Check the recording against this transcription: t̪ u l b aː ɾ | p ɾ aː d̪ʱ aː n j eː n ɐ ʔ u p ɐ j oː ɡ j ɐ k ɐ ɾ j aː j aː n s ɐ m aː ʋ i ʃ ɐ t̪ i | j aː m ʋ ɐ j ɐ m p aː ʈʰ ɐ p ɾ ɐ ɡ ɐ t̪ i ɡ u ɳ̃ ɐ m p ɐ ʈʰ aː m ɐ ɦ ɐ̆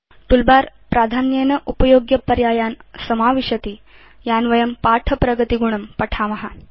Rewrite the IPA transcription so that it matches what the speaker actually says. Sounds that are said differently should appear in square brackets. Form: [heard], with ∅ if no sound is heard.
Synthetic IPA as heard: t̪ u l b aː ɾ | p ɾ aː d̪ʱ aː n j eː n ɐ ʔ u p ɐ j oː ɡ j ɐ [p] ɐ ɾ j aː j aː n s ɐ m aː ʋ i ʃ ɐ t̪ i | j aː [n] ʋ ɐ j ɐ m p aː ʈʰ ɐ p ɾ ɐ ɡ ɐ t̪ i ɡ u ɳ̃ ɐ m p ɐ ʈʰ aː m ɐ ɦ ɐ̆